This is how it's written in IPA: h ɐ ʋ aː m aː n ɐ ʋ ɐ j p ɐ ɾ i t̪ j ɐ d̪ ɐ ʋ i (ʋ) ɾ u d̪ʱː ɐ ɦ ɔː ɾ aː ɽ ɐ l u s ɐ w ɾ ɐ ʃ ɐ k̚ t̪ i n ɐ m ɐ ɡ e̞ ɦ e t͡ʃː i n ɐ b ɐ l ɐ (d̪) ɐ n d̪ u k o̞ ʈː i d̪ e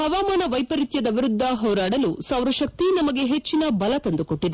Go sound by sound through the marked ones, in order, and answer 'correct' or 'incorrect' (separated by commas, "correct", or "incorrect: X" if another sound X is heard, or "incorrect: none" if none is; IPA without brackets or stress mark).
incorrect: none, incorrect: t̪